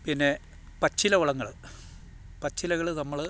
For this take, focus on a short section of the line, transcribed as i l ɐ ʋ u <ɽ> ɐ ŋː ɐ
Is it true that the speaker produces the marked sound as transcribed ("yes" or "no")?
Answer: no